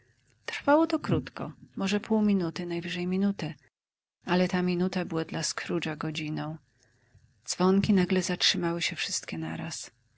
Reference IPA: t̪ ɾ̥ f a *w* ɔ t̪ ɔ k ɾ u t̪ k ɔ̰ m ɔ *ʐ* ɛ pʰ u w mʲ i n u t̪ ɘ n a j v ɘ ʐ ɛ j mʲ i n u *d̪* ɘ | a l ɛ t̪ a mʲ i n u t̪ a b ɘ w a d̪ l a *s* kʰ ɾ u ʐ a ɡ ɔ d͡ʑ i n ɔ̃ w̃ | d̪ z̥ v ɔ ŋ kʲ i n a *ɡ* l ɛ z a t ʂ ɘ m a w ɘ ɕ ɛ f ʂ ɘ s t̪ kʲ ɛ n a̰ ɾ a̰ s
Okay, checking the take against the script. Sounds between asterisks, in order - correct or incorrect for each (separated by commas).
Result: correct, correct, incorrect, correct, correct